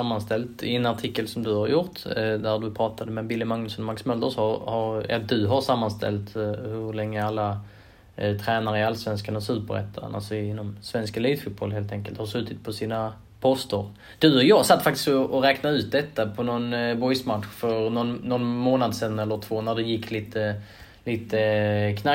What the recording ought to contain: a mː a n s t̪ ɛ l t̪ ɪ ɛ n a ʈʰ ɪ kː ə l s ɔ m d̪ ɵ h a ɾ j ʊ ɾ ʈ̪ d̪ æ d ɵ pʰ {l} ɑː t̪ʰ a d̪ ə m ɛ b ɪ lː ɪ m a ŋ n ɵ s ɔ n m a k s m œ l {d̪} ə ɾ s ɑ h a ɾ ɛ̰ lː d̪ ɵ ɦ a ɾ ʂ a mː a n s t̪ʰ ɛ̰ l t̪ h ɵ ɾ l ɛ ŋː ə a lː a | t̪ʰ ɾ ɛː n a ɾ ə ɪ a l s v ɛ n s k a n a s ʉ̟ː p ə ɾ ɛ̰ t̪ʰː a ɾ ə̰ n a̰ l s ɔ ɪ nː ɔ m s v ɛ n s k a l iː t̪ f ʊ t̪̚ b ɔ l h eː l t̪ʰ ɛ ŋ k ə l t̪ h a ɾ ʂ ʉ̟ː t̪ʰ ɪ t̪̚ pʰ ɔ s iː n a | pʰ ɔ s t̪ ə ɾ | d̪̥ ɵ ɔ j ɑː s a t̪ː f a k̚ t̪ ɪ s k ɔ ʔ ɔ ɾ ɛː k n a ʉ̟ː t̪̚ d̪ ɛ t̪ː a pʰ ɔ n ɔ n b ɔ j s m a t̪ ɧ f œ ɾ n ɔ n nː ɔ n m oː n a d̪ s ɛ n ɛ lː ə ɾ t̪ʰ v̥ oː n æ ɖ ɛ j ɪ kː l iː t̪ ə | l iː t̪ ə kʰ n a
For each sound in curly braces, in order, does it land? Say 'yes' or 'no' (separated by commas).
no, yes